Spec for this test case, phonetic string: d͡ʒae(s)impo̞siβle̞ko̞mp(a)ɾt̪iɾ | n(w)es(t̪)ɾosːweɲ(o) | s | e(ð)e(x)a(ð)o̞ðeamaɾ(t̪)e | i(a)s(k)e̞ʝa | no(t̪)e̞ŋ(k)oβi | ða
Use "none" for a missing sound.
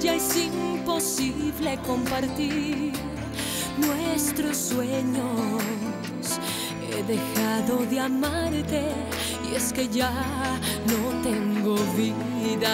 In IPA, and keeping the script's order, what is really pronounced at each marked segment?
s, a, w, t̪, o, ð, x, ð, t̪, e, k, t̪, ɡ

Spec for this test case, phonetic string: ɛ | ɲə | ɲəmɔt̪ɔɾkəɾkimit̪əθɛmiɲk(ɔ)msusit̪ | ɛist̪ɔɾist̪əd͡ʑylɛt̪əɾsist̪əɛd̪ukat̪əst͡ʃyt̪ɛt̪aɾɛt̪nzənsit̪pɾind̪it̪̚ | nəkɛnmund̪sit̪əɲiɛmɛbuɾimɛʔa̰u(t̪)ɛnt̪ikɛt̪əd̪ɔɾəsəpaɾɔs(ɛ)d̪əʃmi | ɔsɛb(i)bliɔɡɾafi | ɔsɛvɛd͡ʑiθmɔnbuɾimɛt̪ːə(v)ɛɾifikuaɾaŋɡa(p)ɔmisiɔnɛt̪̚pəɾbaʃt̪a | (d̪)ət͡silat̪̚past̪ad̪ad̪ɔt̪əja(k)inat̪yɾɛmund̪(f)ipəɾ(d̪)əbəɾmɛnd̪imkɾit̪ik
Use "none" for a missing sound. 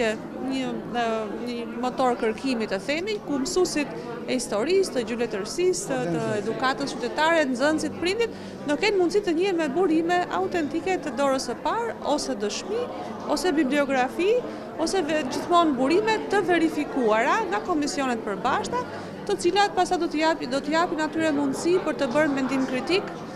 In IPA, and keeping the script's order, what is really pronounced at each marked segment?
u, t̪, ɛ, i, v, k, t̪, p, s, t̪

